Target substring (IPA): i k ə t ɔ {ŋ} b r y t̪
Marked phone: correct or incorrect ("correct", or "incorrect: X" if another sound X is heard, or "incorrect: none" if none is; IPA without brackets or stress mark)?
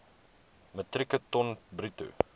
incorrect: n